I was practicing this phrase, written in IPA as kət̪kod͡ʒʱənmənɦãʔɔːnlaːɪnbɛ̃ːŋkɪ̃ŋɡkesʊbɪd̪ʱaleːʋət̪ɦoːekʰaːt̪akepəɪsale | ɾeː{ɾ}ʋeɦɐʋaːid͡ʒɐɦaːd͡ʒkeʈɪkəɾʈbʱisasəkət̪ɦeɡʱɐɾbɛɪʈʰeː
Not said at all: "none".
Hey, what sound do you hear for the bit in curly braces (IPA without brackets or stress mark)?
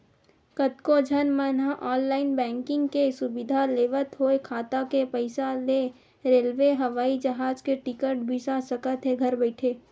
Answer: l